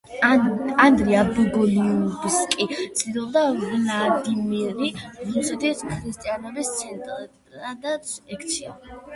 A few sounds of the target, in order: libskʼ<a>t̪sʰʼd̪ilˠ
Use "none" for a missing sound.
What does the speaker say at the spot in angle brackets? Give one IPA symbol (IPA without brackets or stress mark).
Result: i